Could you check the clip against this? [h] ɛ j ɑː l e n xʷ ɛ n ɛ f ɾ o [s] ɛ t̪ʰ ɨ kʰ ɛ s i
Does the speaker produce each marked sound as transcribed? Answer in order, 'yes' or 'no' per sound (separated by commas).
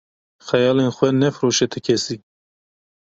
no, no